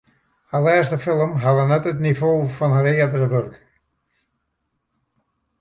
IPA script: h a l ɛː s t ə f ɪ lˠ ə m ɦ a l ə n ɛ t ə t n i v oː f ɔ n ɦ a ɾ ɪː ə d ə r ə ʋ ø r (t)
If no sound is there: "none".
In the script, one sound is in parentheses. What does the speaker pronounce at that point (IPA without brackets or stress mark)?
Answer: k